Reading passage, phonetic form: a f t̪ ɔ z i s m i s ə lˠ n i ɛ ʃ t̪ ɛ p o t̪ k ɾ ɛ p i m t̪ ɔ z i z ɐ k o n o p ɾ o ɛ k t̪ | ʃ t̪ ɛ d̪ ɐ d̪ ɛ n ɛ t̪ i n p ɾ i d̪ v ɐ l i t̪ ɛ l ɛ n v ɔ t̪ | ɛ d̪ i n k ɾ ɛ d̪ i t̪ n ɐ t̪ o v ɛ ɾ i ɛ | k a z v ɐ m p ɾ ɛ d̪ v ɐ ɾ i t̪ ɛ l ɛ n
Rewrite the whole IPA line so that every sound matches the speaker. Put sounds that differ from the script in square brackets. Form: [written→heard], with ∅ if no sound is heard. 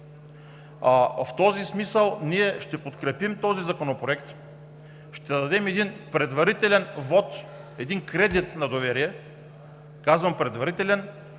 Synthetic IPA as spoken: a f t̪ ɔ z i s m i s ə lˠ n i ɛ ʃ t̪ ɛ p o t̪ k ɾ ɛ p i m t̪ ɔ z i z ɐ k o n o p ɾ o ɛ k t̪ | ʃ t̪ ɛ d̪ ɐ d̪ ɛ [n→m] ɛ [t̪→d̪] i n p ɾ [i→ɛ] d̪ v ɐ [l→ɾ] i t̪ ɛ l ɛ n v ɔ t̪ | ɛ d̪ i n k ɾ ɛ d̪ i t̪ n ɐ [t̪→d̪] o v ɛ ɾ i ɛ | k a z v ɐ m p ɾ ɛ d̪ v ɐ ɾ i t̪ ɛ l ɛ n